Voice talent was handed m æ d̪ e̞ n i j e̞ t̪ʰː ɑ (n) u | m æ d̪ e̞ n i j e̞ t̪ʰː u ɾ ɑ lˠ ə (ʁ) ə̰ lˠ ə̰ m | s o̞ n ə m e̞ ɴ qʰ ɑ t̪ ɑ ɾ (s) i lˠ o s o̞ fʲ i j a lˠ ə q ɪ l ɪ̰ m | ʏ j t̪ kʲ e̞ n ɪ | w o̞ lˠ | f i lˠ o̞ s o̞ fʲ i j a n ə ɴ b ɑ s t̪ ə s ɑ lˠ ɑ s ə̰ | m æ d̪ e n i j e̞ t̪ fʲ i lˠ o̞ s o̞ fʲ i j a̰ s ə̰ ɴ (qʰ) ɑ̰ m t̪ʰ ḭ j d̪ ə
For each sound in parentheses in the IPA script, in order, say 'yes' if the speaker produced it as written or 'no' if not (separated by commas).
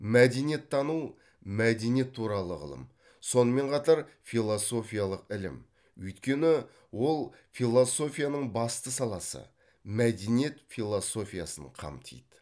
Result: yes, yes, no, yes